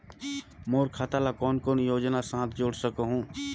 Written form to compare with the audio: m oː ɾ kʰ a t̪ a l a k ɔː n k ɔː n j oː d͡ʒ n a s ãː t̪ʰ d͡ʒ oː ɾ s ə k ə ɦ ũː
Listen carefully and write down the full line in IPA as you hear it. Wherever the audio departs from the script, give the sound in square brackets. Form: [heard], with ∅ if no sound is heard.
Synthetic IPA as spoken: m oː ɾ kʰ a t̪ a l a k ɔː n k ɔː n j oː d͡ʒ n a s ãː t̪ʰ d͡ʒ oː [ɽ] s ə k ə ɦ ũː